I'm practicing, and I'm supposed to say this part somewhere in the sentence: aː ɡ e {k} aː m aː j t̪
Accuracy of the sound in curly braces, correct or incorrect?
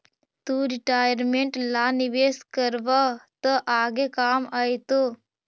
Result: correct